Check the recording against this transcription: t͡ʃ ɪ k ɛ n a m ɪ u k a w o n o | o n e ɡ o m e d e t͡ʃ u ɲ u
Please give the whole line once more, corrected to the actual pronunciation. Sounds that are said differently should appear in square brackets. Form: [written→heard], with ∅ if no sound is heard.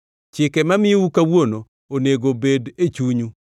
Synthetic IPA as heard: t͡ʃ ɪ k ɛ [n→m] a m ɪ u k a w o n o | o n e ɡ o [m→b] e d e t͡ʃ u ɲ u